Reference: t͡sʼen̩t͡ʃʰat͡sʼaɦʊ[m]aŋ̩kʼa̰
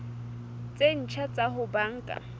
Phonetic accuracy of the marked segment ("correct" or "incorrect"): incorrect